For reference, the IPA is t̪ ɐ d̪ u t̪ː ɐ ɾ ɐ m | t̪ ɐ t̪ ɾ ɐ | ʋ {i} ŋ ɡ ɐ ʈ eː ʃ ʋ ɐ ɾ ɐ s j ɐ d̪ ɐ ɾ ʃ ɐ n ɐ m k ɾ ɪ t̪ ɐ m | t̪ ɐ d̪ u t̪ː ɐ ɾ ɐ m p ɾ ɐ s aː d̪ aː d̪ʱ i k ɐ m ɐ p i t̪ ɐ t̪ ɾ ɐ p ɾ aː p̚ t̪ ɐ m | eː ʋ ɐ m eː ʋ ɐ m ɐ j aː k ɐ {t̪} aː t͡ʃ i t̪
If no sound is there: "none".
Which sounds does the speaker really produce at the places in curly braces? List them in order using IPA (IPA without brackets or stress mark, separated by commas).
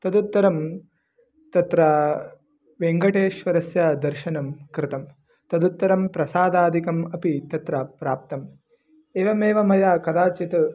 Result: e, d̪